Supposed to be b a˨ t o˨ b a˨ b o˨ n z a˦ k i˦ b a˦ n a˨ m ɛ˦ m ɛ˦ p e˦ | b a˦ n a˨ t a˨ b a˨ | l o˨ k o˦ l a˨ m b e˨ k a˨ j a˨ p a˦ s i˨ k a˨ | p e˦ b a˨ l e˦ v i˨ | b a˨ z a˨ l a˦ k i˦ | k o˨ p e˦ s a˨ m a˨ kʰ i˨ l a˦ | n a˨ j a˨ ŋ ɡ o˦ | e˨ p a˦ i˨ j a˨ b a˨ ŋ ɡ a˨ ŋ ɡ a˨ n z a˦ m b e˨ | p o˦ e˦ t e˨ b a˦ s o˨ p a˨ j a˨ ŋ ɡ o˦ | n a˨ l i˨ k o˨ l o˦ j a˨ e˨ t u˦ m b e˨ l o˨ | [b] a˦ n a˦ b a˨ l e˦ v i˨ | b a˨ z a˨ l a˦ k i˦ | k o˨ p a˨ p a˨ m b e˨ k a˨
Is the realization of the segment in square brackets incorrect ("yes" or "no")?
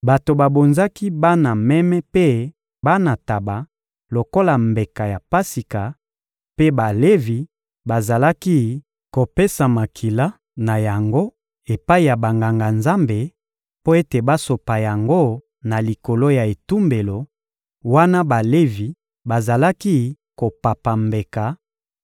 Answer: yes